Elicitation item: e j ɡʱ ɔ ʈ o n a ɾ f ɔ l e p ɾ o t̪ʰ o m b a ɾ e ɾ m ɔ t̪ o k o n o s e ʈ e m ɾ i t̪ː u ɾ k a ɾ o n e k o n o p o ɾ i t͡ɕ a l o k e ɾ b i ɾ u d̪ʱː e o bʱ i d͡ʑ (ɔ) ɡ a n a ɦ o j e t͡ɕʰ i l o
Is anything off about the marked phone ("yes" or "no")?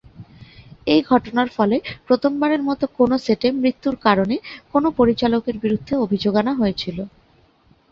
yes